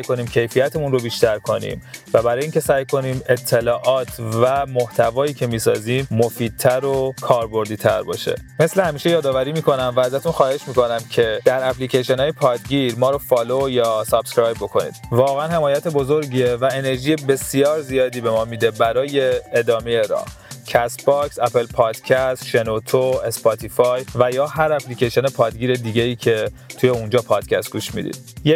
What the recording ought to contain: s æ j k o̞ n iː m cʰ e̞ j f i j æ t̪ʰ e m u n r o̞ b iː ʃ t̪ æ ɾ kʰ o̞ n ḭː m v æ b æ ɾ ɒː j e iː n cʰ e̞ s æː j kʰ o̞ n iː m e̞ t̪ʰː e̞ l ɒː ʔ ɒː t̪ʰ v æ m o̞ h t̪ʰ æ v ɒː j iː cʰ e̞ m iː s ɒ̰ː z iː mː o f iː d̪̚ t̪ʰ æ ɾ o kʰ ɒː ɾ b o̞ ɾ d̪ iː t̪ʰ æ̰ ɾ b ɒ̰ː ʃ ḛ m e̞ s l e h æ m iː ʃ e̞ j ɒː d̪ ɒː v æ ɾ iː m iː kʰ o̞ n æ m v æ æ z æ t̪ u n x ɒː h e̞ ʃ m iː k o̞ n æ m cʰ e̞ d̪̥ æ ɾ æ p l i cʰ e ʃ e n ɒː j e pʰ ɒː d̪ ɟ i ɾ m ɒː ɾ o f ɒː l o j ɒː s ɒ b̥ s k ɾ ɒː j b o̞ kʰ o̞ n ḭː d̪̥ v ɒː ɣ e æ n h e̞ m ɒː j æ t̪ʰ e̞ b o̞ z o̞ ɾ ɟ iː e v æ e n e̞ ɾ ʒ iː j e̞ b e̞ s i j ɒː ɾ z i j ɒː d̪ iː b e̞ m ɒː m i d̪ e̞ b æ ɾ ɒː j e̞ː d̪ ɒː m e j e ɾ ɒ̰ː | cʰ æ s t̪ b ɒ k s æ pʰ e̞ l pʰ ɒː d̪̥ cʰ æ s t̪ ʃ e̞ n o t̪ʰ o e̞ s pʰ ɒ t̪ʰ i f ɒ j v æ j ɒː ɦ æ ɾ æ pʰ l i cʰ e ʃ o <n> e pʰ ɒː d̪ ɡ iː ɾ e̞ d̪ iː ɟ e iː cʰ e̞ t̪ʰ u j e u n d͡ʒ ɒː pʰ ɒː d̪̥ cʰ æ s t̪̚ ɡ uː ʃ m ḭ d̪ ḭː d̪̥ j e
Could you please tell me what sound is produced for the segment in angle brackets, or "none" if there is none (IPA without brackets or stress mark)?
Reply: n